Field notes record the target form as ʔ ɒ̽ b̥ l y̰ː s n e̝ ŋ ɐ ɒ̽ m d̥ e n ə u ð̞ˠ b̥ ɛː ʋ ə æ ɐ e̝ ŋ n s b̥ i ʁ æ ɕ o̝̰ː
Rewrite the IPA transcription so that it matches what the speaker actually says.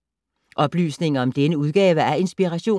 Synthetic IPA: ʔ ɒ̽ b̥ l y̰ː s n e̝ ŋ ɐ ɒ̽ m d̥ e n ə u ð̞ˠ ɡ̥ ɛː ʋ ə æ ɐ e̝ n s b̥ i ʁ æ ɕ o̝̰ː